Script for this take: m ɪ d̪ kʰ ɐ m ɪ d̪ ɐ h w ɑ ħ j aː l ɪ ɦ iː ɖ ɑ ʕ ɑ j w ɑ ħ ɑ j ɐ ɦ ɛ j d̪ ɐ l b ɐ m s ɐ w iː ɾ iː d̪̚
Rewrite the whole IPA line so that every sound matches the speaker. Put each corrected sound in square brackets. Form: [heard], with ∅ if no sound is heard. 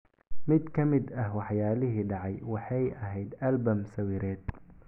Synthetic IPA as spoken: m ɪ d̪ kʰ ɐ m ɪ d̪ ɐ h w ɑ ħ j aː l ɪ ɦ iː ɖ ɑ ʕ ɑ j w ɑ ħ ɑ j ɐ ɦ ɛ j d̪ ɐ l b ɐ m s ɐ w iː ɾ [ɛː] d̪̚

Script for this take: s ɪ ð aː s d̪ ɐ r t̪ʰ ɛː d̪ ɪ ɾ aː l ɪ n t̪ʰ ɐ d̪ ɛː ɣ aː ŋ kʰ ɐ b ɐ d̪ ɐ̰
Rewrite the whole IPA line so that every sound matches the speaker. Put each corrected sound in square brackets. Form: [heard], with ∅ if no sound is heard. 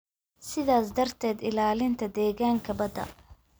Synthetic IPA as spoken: s ɪ ð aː s d̪ ɐ r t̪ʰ ɛː d̪ ɪ [l] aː l ɪ n t̪ʰ ɐ d̪ ɛː ɣ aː ŋ kʰ ɐ b ɐ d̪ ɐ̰

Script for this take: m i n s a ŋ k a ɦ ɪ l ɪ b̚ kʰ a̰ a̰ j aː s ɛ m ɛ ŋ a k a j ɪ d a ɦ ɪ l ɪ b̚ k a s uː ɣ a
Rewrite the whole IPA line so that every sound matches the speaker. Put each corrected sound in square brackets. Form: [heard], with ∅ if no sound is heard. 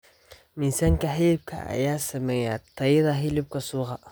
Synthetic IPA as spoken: m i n s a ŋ k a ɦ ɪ l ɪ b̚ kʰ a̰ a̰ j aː s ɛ m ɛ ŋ a [t] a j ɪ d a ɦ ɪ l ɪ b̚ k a s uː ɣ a

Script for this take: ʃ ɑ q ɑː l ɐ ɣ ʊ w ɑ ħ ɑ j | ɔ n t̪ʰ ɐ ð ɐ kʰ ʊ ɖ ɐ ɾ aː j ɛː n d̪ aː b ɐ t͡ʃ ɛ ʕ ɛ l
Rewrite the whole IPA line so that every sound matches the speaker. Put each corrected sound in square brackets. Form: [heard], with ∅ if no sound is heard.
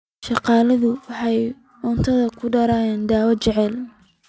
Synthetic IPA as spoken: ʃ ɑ q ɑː l ɐ [ð] ʊ w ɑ ħ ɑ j | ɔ n t̪ʰ ɐ ð ɐ kʰ ʊ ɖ ɐ ɾ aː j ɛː n d̪ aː [w] ɐ t͡ʃ ɛ ʕ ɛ l

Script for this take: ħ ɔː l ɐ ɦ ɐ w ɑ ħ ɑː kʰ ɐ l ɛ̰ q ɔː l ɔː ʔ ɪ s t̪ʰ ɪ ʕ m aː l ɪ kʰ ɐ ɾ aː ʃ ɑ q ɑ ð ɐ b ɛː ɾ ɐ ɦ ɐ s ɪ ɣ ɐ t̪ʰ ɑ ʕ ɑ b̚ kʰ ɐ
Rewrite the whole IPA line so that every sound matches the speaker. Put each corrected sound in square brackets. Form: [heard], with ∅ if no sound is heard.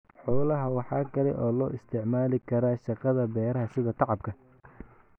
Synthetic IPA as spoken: ħ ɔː l ɐ ɦ ɐ w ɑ ħ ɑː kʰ ɐ l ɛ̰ [ʔ] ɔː l ɔː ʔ ɪ s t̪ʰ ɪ ʕ m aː l ɪ kʰ ɐ ɾ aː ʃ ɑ q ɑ ð ɐ b ɛː ɾ ɐ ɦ ɐ s ɪ [ð] ɐ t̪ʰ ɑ ʕ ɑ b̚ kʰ ɐ

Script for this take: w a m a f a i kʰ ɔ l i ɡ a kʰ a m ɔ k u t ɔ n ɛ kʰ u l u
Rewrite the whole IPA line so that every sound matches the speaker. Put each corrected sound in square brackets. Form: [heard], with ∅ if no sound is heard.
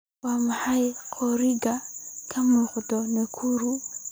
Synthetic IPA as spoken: w a m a [h] a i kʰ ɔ [ɾ] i ɡ a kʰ a m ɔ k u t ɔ n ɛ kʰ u [ɾ] u

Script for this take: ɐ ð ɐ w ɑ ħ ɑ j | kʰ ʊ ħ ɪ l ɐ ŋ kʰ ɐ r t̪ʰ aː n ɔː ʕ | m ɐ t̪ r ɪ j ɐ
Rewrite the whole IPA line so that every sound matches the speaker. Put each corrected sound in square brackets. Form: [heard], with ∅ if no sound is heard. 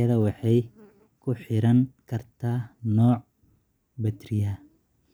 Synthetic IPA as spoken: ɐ ð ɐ w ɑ ħ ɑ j | kʰ ʊ ħ ɪ [ɾ] ɐ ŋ kʰ ɐ r t̪ʰ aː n ɔː ʕ | [b] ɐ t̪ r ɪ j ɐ

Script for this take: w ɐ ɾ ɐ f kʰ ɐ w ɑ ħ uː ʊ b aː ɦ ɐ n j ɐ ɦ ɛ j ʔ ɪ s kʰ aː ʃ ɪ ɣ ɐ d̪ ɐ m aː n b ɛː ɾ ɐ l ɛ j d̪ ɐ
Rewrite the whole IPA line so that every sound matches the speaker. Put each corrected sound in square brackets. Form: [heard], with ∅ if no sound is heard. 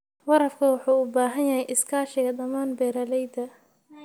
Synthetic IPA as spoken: w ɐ ɾ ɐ f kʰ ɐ w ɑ ħ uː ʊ b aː ɦ ɐ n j ɐ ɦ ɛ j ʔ ɪ s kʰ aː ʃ ɪ ɣ ɐ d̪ ɐ m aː n b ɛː ɾ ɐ l ɛ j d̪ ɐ

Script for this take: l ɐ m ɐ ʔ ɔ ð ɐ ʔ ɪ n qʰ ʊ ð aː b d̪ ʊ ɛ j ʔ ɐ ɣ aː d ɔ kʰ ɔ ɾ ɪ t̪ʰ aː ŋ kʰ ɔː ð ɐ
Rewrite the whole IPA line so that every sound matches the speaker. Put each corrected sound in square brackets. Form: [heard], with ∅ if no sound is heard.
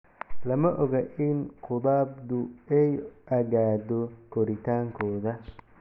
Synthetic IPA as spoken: l ɐ m ɐ ʔ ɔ [ɣ] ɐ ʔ ɪ n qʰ ʊ ð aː b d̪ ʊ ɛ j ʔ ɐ ɣ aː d ɔ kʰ ɔ ɾ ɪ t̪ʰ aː ŋ kʰ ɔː ð ɐ

